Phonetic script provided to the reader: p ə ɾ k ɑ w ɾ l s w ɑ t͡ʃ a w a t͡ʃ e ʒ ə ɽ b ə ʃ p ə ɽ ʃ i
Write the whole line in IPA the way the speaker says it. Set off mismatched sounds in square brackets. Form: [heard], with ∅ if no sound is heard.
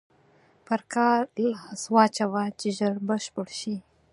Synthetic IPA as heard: p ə ɾ k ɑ [∅] ɾ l s w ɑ t͡ʃ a w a t͡ʃ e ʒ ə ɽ b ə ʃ p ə ɽ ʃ i